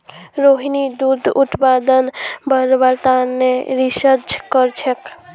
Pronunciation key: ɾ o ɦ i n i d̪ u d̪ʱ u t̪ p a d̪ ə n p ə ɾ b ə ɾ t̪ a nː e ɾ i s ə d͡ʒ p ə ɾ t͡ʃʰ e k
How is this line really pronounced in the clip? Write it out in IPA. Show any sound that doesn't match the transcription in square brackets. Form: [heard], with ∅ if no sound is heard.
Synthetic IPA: ɾ o ɦ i n i d̪ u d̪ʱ u t̪ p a d̪ ə n [b] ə ɾ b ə ɾ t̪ a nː e ɾ i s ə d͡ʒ [k] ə ɾ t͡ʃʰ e k

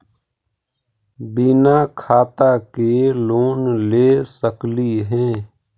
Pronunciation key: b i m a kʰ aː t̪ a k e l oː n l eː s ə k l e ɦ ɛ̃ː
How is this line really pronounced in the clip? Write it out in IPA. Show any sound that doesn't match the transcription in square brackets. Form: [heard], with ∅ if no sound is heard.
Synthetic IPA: b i [n] a kʰ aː t̪ a k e l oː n l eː s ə k l [i] ɦ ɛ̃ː

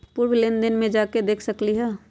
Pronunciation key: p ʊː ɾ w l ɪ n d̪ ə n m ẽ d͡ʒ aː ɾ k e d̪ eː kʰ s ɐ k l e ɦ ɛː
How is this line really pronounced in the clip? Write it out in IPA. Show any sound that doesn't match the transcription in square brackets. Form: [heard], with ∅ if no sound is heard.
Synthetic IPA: p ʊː ɾ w l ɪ n d̪ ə n m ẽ d͡ʒ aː [∅] k e d̪ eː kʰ s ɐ k l [i] ɦ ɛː

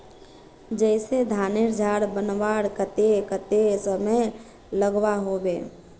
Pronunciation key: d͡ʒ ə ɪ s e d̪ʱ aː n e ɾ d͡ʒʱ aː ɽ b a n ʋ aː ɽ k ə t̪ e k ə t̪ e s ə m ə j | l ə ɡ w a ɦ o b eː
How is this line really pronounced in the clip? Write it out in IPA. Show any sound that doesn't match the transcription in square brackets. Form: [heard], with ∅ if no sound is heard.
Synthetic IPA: d͡ʒ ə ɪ s e d̪ʱ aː n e ɾ d͡ʒʱ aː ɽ b [ə] n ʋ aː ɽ k ə t̪ e k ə t̪ e s ə m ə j | l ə ɡ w a ɦ o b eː

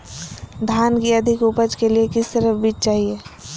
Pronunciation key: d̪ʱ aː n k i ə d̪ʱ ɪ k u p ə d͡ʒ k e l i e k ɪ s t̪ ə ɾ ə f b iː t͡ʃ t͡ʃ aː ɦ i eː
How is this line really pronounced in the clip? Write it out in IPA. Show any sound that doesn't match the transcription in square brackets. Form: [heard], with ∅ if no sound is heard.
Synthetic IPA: d̪ʱ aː n k i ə d̪ʱ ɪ k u p ə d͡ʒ k e l i e k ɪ s t̪ ə ɾ ə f b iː t͡ʃ t͡ʃ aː ɦ i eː

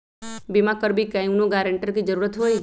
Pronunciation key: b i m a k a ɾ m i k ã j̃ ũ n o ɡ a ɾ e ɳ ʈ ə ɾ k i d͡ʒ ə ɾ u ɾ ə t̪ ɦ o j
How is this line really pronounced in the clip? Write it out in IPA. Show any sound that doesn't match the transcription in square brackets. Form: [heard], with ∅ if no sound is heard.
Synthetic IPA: b i m a k [ə] ɾ [b] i k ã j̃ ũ n o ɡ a ɾ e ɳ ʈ ə ɾ k i d͡ʒ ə ɾ u ɾ ə t̪ ɦ o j

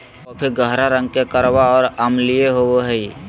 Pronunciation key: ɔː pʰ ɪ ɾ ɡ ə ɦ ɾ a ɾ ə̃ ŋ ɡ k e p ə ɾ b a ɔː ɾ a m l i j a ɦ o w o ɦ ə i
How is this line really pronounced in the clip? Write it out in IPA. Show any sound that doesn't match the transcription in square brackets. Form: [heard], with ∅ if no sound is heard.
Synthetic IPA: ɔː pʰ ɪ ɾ ɡ ə ɦ ɾ a ɾ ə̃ ŋ ɡ k e [k] ə ɾ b a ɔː ɾ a m l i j [e] ɦ o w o ɦ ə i

